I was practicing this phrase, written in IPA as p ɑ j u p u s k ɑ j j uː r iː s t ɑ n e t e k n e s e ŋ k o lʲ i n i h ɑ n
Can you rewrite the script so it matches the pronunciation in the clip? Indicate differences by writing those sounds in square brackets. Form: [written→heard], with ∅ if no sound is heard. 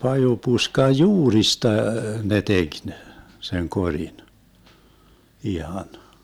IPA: p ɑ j u p u s k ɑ j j uː r [iː→i] s t ɑ n e t e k n e s e ŋ k o [lʲ→rʲ] i n i h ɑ n